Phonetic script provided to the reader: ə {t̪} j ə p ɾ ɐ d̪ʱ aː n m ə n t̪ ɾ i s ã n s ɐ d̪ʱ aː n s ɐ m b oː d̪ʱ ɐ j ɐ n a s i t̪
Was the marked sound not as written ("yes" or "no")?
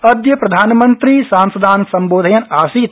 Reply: yes